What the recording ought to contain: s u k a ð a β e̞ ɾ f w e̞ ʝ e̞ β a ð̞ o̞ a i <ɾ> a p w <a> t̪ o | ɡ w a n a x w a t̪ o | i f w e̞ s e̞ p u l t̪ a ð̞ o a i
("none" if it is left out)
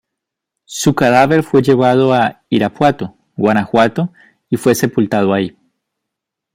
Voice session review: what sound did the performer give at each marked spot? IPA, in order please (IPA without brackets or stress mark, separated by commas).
ɾ, a